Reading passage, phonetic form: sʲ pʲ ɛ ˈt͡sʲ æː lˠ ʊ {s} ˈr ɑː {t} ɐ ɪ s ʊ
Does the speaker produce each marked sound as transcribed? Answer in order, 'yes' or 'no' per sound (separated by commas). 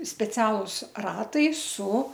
yes, yes